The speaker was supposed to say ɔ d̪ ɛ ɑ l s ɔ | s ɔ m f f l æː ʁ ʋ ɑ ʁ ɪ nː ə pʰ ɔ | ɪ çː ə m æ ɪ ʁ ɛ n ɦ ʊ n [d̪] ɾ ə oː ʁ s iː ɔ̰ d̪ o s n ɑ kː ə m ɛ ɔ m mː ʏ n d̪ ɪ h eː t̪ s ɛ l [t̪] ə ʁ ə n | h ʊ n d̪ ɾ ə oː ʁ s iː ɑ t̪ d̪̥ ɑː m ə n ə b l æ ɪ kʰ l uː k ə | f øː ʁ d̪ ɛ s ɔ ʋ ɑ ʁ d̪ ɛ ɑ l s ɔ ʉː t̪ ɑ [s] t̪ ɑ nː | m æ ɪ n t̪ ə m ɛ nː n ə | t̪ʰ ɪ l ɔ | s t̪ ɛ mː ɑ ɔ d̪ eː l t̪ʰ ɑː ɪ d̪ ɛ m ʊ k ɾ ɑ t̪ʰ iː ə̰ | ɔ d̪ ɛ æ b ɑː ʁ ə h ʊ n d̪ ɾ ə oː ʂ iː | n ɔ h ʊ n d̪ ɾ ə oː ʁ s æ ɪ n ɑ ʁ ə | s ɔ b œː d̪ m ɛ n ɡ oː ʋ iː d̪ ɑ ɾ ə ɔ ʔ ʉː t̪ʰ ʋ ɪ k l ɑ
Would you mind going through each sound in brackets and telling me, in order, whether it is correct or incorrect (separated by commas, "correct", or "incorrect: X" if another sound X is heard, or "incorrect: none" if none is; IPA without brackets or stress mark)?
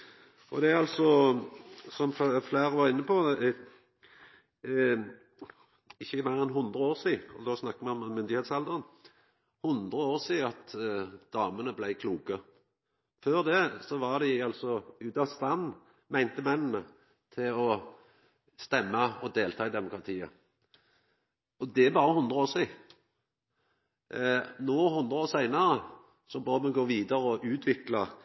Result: correct, incorrect: d̪, correct